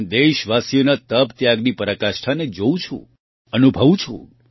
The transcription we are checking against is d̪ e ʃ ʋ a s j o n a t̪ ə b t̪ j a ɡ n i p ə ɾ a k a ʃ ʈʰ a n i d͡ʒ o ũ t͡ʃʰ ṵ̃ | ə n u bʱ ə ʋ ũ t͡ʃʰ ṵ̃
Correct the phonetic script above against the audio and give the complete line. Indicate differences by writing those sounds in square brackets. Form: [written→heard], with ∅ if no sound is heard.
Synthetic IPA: d̪ e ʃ ʋ a s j o n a t̪ ə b t̪ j a ɡ n i p ə ɾ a k a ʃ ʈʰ a n [i→e] d͡ʒ o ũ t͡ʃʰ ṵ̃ | ə n u bʱ ə ʋ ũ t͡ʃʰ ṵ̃